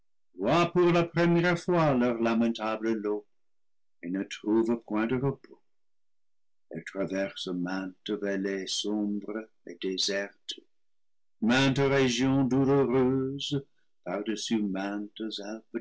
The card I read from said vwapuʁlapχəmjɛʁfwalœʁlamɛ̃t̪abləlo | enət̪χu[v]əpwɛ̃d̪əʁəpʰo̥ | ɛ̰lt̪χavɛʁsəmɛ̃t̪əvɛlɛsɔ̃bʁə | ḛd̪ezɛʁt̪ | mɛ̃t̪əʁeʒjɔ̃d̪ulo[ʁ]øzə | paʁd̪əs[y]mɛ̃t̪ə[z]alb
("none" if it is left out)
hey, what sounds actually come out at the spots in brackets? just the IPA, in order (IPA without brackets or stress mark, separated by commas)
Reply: v, ʁ, y, z